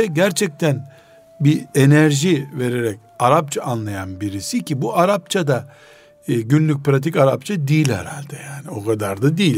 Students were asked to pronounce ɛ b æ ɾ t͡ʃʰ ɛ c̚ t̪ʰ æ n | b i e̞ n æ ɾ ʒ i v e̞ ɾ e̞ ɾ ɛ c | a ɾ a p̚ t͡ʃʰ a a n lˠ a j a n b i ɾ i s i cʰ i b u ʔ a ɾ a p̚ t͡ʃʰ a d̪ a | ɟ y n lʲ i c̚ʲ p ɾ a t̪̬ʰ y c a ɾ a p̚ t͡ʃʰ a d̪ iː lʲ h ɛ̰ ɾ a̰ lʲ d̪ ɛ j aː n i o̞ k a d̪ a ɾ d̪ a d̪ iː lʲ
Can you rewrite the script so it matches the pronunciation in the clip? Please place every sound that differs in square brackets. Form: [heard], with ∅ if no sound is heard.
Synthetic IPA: ɛ [ɟ] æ ɾ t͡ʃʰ ɛ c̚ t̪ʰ æ n | b i e̞ n æ ɾ ʒ i v e̞ ɾ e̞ ɾ ɛ c | a ɾ a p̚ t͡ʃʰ a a n lˠ a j a n b i ɾ i s i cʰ i b u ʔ a ɾ a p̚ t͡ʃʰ a d̪ a | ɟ y n lʲ [y] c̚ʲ p ɾ a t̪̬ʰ [i] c a ɾ a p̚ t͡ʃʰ a d̪ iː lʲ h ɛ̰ ɾ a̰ lʲ d̪ ɛ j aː n i o̞ k a d̪ a ɾ d̪ a d̪ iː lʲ